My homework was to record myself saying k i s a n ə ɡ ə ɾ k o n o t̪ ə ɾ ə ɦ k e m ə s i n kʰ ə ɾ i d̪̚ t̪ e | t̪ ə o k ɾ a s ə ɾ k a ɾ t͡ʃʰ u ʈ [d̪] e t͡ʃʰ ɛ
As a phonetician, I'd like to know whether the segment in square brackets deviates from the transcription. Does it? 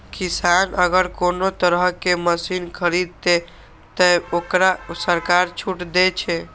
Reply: no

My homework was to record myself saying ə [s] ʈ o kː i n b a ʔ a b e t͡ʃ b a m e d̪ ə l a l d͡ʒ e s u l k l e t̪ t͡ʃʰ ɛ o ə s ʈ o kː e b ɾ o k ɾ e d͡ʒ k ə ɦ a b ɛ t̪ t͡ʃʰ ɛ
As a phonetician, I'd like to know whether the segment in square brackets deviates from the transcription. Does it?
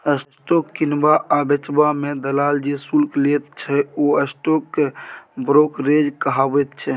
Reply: no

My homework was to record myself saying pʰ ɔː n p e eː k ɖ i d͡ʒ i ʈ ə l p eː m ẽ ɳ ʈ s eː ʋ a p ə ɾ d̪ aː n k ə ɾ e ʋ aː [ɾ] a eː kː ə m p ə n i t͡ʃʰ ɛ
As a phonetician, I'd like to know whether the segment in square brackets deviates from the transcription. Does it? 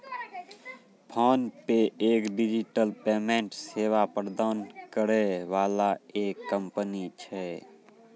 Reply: yes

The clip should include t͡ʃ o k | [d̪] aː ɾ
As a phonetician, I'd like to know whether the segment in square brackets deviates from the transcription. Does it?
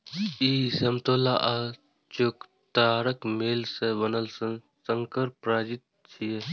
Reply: yes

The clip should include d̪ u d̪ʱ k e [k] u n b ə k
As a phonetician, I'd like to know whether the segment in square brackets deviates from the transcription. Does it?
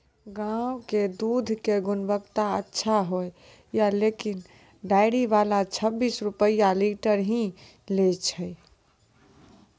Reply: yes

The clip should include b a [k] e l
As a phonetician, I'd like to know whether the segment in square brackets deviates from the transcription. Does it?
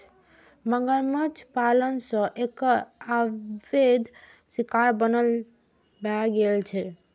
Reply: yes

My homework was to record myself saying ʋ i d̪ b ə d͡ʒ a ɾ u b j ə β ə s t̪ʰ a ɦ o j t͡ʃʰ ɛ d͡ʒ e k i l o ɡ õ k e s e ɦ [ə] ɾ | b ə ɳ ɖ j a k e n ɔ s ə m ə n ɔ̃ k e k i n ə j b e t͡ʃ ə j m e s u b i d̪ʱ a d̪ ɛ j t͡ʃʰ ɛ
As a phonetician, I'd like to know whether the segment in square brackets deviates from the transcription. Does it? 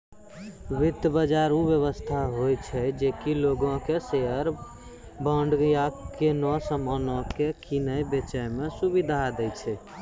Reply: no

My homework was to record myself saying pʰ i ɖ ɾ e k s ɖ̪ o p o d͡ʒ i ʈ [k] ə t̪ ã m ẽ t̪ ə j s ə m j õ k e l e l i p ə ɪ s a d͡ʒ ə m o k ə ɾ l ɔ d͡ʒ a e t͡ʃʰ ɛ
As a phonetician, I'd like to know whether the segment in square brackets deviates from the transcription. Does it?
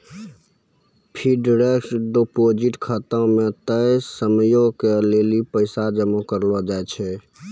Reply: yes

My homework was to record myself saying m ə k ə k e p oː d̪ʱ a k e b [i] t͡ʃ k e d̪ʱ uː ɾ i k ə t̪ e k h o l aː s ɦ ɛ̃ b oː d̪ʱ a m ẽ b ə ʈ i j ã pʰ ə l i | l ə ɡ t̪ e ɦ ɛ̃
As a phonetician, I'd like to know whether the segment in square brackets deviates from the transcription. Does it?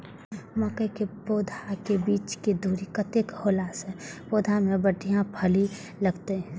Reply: yes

